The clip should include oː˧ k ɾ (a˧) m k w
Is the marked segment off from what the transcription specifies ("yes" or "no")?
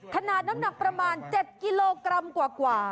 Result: no